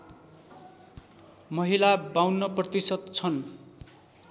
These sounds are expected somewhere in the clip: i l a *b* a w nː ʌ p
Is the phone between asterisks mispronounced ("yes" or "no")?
no